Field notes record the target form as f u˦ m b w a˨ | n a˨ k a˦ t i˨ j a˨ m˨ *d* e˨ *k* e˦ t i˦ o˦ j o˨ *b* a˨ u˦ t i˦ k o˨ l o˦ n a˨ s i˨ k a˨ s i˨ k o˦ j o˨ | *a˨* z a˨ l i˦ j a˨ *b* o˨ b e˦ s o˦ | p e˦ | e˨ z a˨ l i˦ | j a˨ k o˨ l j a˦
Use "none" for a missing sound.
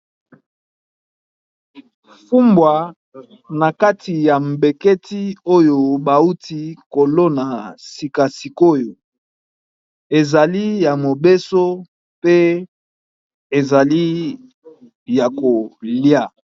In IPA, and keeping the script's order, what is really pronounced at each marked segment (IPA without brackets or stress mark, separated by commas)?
b, k, b, e˨, m